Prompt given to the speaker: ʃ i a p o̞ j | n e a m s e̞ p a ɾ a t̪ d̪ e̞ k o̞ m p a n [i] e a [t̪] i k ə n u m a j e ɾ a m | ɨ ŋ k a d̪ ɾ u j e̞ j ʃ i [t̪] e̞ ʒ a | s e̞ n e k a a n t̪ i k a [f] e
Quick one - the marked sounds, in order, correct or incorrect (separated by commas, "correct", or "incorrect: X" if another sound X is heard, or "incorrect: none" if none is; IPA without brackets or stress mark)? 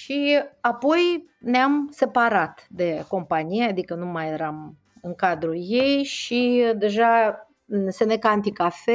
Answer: correct, incorrect: d̪, incorrect: d̪, correct